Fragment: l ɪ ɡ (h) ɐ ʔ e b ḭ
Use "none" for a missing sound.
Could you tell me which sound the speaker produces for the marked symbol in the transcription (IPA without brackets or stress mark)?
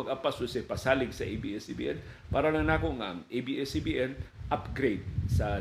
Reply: s